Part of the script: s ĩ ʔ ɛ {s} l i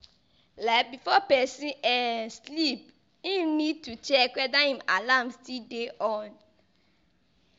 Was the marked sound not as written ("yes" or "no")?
no